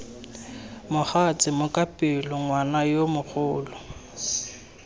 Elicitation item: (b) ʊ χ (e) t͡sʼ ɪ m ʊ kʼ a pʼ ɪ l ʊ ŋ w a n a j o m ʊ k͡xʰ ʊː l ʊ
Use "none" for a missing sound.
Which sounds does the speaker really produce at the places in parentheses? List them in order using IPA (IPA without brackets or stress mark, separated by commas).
m, a